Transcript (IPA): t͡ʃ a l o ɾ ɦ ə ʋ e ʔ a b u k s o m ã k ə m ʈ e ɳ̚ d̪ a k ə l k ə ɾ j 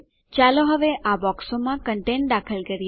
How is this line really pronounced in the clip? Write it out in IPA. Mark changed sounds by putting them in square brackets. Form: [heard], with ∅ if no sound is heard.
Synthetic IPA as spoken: t͡ʃ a l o [∅] ɦ ə ʋ e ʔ a b [ɔ] k s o m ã k ə [ɳ] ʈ e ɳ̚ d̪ a [kʰ] ə l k ə ɾ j